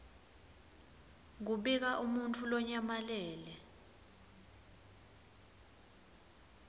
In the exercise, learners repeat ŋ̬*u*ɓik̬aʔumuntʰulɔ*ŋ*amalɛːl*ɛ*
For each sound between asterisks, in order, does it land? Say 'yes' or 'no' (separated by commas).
yes, no, yes